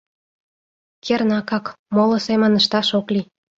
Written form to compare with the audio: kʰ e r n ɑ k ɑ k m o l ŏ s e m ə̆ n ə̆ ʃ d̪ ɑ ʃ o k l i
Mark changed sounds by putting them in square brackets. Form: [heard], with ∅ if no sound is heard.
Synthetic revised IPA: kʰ e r n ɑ k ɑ k m o l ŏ s e m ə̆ n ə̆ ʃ [t̪] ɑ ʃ o k l i